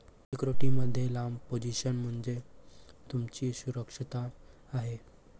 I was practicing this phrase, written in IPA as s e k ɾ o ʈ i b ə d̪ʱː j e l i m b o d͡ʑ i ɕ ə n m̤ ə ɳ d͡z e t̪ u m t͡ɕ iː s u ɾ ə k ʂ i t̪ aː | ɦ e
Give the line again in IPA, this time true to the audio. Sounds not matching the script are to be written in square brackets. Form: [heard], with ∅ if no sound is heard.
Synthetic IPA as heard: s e k ɾ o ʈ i [m] ə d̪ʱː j e l [a] m [p] o d͡ʑ i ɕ ə n m̤ ə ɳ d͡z e t̪ u m t͡ɕ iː s u ɾ ə k ʂ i t̪ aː | ɦ e